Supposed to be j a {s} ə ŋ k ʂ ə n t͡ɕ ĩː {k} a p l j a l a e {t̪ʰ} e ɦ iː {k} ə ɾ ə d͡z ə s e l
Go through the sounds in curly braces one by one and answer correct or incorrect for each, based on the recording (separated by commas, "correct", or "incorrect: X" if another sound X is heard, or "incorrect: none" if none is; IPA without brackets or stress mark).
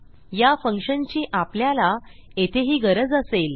incorrect: f, incorrect: ʔ, correct, incorrect: ɡ